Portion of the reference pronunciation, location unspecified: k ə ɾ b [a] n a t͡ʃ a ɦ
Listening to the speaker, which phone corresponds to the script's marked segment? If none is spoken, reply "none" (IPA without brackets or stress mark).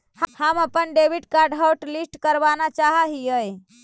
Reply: a